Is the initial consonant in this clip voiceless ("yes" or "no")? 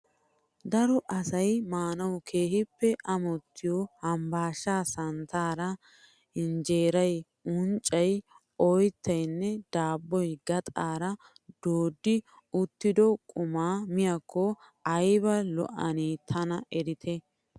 no